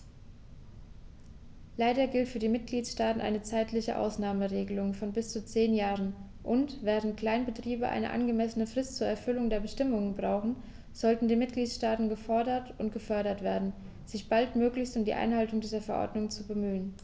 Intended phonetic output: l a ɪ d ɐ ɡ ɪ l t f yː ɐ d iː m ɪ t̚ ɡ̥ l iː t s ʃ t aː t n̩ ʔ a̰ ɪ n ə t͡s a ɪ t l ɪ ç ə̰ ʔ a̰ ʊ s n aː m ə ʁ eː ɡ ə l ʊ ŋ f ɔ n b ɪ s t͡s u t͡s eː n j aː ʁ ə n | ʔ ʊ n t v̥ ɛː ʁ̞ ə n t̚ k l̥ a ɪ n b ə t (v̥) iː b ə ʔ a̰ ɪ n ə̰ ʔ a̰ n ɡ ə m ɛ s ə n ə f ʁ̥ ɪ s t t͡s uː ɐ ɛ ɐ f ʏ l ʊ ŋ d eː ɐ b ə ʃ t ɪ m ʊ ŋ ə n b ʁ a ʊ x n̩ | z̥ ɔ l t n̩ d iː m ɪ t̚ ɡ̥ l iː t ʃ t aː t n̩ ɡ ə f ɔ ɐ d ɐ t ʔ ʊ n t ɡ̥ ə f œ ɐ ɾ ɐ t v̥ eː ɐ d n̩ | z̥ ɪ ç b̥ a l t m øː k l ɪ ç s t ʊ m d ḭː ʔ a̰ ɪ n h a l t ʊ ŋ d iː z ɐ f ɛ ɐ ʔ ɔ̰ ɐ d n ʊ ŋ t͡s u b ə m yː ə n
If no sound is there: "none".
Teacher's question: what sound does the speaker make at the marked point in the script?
ʁ̥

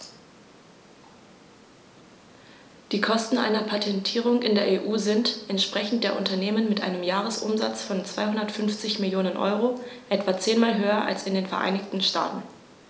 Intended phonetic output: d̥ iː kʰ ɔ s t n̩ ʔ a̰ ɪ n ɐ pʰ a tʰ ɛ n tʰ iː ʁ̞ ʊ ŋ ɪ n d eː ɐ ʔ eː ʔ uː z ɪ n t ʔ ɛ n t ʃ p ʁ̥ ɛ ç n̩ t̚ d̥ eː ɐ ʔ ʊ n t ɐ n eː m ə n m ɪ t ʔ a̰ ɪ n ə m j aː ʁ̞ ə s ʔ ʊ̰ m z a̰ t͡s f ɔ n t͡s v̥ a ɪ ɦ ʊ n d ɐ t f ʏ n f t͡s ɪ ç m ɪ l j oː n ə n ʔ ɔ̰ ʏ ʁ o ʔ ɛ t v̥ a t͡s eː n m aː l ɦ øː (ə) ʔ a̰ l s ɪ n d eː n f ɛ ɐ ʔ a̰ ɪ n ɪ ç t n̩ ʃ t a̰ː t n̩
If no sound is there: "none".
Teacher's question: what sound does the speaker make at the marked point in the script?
ɐ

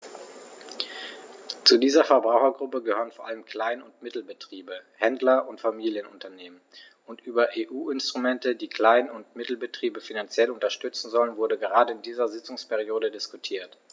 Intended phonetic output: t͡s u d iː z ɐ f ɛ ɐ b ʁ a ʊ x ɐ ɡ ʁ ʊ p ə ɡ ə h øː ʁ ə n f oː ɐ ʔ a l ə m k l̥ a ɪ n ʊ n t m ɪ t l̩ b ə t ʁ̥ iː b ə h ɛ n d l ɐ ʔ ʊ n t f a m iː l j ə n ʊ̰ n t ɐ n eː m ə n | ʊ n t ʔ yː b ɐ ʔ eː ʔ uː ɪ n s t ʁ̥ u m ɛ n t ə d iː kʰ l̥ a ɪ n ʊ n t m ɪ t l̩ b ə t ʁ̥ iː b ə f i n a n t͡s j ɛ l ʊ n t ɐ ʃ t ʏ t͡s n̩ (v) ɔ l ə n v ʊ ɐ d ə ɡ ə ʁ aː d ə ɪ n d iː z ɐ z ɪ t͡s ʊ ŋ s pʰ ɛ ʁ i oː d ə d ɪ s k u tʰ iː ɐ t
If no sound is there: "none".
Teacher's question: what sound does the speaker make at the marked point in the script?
z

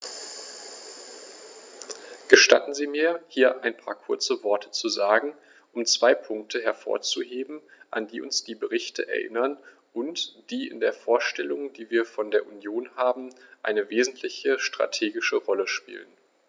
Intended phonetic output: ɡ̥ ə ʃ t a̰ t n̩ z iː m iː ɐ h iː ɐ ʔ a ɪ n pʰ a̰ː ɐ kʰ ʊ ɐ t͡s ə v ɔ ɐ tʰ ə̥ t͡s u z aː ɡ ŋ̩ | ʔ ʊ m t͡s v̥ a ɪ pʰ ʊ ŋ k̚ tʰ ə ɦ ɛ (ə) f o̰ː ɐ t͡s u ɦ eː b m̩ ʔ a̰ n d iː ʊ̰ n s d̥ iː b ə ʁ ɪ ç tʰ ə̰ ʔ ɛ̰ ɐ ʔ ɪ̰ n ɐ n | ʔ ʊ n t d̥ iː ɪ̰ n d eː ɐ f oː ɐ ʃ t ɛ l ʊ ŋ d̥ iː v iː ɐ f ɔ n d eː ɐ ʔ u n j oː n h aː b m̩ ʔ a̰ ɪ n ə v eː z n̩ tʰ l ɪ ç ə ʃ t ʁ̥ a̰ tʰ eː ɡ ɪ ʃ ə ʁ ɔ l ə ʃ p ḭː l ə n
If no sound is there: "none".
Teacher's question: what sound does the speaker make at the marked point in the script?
ɐ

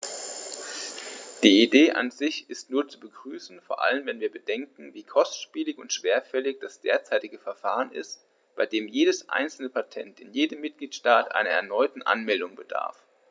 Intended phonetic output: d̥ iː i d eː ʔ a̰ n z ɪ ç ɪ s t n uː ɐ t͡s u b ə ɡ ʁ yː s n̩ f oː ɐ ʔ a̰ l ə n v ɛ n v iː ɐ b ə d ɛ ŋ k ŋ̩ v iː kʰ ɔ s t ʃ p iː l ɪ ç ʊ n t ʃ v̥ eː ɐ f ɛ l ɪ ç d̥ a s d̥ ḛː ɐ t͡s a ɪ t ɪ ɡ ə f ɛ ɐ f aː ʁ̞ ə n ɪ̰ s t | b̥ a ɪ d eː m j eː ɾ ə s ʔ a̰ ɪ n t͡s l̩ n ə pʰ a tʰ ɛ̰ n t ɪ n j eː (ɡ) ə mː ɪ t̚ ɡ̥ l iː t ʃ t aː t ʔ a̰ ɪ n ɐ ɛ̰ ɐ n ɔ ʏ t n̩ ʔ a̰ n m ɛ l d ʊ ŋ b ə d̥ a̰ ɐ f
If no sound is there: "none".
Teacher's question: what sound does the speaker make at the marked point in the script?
d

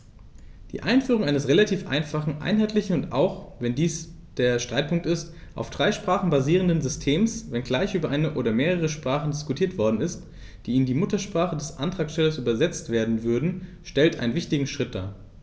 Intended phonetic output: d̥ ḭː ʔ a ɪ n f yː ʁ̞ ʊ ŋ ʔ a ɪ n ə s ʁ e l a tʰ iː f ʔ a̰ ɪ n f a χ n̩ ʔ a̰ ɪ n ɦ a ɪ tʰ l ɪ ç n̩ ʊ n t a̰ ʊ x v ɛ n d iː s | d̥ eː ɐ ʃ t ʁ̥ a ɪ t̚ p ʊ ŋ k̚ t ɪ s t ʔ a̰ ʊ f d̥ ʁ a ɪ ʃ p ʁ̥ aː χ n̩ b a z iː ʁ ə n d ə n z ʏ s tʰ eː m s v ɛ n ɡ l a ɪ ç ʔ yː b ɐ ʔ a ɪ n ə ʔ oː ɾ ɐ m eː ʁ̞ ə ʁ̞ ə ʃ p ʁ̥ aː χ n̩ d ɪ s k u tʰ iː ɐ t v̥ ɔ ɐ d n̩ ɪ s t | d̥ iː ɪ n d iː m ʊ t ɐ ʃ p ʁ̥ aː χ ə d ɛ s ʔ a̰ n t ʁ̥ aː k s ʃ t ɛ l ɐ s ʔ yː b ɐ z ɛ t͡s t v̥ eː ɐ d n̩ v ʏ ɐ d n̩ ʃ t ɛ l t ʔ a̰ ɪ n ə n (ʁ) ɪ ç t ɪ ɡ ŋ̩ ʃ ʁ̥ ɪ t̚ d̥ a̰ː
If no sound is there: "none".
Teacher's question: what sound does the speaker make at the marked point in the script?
v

